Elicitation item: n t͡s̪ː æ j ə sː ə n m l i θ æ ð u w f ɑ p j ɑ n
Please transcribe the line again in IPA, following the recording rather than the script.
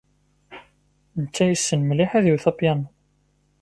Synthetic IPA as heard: n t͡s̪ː æ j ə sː ə n m l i ħ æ ð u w θ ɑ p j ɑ n